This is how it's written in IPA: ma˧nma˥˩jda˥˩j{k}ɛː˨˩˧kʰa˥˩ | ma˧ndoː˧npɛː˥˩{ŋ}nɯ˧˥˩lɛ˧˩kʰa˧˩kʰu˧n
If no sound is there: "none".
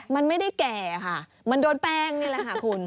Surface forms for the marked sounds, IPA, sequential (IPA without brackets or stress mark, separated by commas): k, ŋ